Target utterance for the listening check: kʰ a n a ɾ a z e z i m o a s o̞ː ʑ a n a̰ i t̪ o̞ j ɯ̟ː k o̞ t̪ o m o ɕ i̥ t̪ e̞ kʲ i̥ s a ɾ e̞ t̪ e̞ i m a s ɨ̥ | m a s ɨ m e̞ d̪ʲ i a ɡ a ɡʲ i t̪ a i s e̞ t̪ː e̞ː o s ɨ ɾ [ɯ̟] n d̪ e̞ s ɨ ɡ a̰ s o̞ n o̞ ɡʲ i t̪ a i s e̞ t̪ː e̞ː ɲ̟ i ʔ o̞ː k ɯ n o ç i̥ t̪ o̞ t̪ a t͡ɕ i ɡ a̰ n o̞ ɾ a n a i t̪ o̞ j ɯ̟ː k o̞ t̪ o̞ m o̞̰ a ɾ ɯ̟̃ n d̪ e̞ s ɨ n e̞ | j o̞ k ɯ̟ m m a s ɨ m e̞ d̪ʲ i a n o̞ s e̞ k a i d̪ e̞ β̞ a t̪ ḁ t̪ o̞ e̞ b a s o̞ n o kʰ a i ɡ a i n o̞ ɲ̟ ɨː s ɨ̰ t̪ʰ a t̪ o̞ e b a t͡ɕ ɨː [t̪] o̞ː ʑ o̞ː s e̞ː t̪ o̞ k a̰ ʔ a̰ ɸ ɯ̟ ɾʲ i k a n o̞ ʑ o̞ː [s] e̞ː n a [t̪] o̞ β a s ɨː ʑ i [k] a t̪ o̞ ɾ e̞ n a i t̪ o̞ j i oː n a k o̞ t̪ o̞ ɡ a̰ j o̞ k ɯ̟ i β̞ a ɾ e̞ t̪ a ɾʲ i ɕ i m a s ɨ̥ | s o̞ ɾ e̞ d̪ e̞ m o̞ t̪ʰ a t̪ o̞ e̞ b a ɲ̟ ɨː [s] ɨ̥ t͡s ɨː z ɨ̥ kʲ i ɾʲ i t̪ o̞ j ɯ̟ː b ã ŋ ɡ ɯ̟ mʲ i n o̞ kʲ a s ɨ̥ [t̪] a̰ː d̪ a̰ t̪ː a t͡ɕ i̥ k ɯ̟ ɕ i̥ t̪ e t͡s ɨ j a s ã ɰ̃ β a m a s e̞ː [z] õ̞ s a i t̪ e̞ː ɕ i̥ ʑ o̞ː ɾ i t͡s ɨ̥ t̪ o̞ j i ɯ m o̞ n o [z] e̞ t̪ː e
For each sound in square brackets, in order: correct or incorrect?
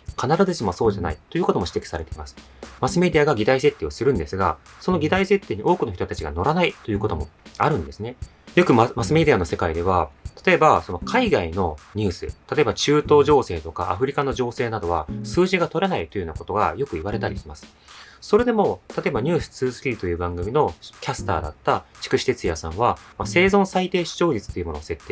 incorrect: ɯ̟̃, correct, correct, incorrect: d̪, incorrect: ɡ, correct, correct, correct, incorrect: s

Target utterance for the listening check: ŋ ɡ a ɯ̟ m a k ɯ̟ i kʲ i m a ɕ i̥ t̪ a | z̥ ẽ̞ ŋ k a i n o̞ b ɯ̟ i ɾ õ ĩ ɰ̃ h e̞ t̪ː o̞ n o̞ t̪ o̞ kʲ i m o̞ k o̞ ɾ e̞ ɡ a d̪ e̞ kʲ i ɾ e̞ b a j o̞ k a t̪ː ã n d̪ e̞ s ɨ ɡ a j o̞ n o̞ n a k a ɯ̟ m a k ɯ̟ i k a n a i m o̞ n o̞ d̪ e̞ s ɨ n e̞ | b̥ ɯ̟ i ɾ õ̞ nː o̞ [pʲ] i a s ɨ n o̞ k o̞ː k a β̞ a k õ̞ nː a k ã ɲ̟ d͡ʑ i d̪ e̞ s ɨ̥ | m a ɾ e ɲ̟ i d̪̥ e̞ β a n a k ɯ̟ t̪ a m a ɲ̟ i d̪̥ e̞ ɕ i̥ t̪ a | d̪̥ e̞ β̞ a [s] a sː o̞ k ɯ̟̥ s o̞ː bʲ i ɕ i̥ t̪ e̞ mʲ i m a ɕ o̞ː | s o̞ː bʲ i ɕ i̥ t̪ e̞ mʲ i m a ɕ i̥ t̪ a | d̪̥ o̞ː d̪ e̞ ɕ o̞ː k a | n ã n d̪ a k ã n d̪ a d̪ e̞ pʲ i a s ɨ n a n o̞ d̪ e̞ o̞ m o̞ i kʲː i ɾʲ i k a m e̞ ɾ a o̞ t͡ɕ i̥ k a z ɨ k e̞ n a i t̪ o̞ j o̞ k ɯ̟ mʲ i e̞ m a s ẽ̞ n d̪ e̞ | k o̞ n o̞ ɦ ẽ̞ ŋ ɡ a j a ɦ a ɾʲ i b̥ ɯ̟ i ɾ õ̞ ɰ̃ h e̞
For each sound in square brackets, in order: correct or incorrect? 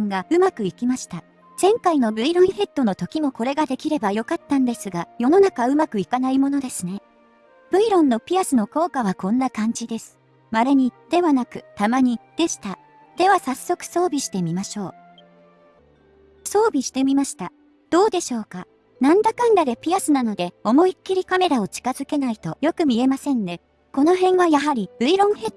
correct, correct

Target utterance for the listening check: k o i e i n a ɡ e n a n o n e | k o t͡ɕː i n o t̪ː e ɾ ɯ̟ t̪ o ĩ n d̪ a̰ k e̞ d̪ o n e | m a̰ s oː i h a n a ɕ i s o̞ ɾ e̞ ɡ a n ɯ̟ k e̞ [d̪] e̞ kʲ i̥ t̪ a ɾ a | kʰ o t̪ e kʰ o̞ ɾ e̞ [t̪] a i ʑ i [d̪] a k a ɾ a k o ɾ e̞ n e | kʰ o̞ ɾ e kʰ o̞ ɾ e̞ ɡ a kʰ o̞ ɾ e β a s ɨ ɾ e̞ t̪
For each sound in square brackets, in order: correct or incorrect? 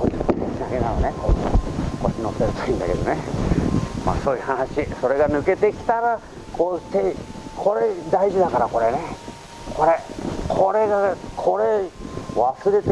incorrect: t̪, incorrect: d̪, correct

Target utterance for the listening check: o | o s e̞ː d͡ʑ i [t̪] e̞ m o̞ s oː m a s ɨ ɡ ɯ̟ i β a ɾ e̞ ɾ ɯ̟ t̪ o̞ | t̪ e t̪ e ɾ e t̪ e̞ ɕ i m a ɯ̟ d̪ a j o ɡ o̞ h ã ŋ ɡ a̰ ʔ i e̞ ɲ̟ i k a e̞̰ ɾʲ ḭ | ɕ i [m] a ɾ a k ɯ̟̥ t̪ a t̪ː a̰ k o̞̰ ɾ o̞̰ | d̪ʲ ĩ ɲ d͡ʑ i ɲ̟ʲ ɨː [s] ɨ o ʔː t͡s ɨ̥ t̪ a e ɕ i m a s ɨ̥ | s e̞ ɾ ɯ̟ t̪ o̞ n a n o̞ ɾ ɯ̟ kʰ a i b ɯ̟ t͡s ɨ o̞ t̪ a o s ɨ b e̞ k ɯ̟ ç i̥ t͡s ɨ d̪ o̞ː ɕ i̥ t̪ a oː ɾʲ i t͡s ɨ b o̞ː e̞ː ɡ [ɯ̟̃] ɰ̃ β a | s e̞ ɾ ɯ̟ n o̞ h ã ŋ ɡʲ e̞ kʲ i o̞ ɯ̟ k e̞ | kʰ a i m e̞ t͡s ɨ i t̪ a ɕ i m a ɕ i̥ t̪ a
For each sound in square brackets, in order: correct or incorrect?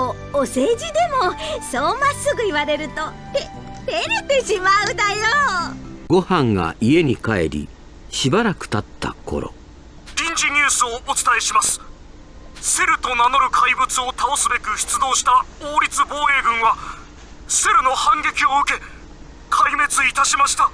incorrect: d̪, incorrect: b, correct, correct

